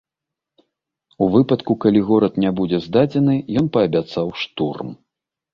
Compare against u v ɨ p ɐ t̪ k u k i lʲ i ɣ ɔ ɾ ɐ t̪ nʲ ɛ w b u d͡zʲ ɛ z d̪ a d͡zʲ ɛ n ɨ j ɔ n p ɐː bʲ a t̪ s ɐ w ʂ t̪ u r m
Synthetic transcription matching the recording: u v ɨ p ɐ t̪ k u k a lʲ i ɣ ɔ ɾ ɐ t̪ nʲ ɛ b u d͡zʲ ɛ z d̪ a d͡zʲ ɛ n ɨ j ɔ n p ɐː bʲ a t̪ s a w ʂ t̪ u r m